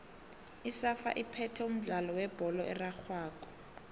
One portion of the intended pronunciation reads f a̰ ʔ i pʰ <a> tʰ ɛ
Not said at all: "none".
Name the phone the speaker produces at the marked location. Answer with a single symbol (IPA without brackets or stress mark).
ɛ